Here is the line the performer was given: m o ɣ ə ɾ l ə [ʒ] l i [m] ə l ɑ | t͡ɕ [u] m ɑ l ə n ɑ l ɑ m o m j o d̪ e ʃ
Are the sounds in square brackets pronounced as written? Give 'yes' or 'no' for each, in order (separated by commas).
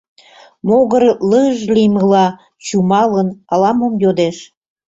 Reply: yes, yes, yes